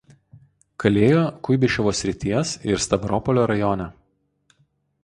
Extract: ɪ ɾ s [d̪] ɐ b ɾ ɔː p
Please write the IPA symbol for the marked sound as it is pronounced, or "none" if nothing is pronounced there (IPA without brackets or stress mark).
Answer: t̪